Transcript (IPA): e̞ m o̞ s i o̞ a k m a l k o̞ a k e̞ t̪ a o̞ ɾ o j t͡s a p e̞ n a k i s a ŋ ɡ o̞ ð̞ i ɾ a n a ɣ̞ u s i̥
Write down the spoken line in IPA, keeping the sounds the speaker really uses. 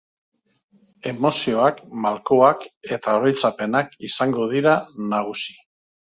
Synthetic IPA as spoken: e̞ m o̞ s i o̞ a k m a l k o̞ a k e̞ t̪ a o̞ ɾ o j t͡s a p e̞ n a k i s a ŋ ɡ o̞ ð̞ i ɾ a n a ɣ̞ u s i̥